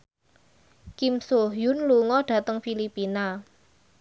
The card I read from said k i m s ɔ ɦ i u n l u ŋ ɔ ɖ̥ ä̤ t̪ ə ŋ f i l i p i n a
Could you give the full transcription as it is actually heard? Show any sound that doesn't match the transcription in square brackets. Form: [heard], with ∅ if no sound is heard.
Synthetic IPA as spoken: k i m s [o] ɦ [j] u n l u ŋ ɔ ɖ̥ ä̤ t̪ ə ŋ f i l i p i n a